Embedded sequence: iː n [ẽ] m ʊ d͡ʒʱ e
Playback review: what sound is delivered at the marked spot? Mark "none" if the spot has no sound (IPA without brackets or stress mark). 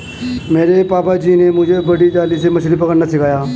e